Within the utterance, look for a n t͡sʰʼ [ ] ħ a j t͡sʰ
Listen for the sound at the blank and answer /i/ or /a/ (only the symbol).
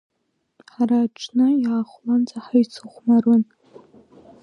a